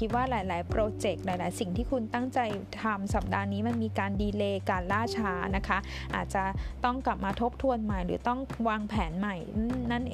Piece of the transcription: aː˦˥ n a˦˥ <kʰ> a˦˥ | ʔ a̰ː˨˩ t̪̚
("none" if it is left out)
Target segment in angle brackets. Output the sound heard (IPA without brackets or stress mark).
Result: kʰ